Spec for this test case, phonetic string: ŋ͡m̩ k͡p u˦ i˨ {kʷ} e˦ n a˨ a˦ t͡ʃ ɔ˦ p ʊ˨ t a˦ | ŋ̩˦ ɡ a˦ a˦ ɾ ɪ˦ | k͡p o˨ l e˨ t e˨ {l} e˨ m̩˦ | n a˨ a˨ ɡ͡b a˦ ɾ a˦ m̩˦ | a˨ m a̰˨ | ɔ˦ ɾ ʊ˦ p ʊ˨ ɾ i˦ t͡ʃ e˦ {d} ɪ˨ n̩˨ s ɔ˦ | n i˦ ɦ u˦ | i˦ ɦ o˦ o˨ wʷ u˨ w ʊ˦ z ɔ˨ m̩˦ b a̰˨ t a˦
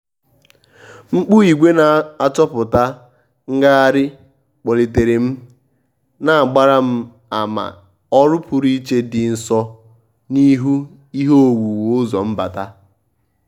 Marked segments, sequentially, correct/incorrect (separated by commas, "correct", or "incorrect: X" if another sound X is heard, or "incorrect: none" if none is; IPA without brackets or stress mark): incorrect: ɡʷ, incorrect: ɾ, correct